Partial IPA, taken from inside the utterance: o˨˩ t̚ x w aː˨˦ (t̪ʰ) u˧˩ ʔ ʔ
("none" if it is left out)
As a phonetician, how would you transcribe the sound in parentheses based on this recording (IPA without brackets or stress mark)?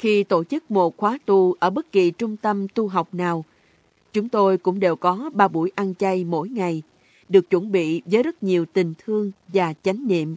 t̪